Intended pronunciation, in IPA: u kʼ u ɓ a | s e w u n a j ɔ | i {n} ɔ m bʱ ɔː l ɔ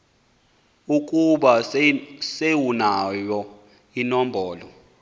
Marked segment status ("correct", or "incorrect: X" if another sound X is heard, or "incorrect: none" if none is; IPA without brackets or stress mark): correct